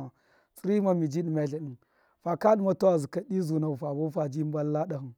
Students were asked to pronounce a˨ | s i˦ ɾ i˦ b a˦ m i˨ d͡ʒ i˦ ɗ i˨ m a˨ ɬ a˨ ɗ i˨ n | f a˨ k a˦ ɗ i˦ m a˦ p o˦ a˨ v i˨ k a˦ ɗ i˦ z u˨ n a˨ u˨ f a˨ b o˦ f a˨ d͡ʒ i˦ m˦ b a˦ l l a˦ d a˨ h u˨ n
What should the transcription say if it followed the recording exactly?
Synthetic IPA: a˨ | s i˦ ɾ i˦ m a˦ m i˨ d͡ʒ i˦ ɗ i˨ m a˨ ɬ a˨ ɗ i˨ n | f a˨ k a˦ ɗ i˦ m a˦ t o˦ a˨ z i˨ k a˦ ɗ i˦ z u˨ n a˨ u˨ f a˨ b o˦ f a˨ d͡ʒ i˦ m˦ b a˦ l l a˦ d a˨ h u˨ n

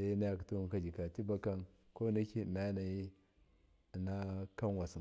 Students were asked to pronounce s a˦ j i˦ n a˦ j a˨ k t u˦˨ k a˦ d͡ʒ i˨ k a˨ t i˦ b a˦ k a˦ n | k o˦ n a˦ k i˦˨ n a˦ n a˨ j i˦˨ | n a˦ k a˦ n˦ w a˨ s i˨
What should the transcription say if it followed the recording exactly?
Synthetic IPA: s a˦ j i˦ n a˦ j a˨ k t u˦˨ k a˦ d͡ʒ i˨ k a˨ t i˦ b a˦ k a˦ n | k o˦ n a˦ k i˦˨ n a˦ n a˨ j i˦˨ | n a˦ k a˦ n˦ w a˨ s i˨

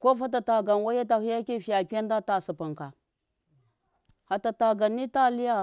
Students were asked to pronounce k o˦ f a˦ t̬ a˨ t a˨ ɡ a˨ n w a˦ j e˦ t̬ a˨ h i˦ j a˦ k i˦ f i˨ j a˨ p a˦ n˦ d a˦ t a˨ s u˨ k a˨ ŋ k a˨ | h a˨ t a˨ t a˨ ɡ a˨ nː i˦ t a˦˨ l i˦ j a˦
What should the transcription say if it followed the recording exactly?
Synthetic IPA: k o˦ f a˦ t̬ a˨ t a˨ ɡ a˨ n w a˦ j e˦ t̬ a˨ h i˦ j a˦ k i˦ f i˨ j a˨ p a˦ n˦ d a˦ t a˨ s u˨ p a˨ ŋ k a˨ | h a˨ t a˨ t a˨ ɡ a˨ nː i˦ t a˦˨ l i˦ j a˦

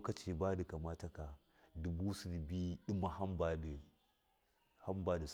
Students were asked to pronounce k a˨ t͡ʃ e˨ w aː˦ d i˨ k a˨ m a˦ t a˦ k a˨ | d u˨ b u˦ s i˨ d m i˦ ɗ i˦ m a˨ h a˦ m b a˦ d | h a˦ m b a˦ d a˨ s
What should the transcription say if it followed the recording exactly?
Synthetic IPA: k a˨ t͡ʃ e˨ b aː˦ d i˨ k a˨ m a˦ t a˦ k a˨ | d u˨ b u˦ s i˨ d b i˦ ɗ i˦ m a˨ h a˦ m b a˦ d | h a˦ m b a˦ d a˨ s

